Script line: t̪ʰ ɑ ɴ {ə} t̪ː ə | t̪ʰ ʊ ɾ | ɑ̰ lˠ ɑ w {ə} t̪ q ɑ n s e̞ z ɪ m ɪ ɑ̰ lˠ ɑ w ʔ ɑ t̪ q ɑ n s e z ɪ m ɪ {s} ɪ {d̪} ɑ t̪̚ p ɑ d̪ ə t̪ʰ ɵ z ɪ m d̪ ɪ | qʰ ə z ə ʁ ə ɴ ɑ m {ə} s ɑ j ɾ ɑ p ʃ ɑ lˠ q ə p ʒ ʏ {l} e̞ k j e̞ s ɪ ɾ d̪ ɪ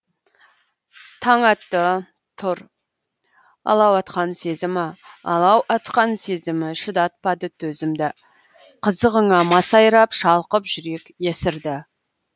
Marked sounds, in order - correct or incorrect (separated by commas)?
incorrect, incorrect, incorrect, correct, incorrect, incorrect